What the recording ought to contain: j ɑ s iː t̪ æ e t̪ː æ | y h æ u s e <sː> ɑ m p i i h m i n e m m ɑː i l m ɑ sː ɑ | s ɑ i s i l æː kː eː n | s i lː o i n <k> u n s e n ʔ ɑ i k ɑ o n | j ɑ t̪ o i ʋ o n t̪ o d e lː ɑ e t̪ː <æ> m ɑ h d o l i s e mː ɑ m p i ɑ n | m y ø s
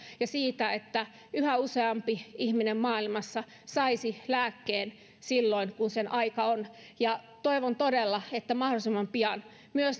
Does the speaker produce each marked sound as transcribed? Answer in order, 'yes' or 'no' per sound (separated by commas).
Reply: no, yes, yes